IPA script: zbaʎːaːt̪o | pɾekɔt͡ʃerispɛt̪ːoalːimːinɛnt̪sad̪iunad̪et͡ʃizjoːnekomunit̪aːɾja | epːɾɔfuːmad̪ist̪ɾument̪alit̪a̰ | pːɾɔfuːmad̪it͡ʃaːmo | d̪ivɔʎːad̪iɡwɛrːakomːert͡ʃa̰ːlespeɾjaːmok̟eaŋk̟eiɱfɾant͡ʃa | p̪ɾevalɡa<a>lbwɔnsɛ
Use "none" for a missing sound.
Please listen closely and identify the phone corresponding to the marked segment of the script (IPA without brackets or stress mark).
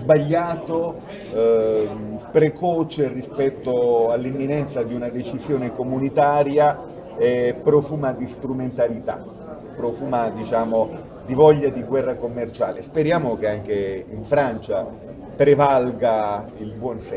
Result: i